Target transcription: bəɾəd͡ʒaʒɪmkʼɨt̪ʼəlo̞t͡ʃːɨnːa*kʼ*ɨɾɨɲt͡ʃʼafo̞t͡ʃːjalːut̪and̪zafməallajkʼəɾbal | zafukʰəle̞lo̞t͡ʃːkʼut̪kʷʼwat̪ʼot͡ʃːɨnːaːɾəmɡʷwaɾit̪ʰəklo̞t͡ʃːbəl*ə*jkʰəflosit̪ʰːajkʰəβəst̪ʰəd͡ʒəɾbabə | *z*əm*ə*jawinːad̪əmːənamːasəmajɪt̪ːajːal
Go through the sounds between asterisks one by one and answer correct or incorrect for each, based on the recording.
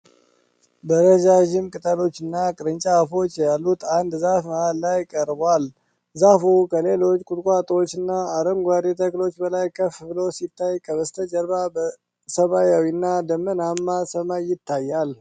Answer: correct, incorrect: a, incorrect: s, incorrect: a

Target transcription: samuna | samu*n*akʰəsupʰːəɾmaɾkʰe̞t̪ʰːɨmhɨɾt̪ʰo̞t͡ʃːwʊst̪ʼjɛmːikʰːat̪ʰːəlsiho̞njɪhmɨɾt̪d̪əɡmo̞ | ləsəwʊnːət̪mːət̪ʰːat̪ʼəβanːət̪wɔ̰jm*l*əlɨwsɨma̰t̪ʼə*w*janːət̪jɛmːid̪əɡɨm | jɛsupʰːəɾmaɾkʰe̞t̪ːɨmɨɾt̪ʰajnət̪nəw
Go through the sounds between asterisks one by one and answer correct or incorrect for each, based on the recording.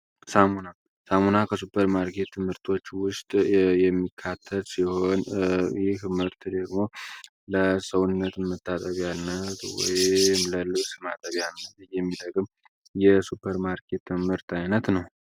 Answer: correct, correct, incorrect: β

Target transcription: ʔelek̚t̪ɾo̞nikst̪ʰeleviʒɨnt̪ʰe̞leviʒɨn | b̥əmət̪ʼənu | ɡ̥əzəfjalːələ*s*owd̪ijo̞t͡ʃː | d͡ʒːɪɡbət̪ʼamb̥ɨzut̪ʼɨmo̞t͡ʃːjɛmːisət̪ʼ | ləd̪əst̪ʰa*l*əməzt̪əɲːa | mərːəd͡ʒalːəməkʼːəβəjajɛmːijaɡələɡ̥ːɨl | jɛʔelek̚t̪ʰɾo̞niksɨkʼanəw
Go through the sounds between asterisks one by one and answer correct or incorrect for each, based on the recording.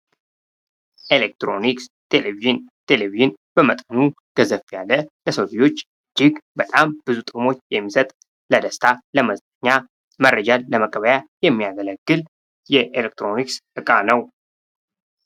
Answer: correct, correct

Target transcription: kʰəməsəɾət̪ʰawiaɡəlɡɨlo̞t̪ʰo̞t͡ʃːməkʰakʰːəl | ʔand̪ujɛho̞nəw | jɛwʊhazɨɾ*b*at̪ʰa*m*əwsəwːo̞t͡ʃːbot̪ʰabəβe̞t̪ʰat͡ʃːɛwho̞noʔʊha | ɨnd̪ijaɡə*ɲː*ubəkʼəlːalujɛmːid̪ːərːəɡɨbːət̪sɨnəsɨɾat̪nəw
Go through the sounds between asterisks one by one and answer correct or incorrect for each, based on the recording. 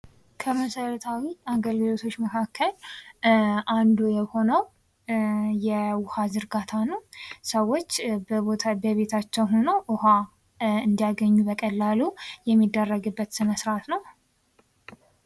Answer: incorrect: ɡ, incorrect: n, correct

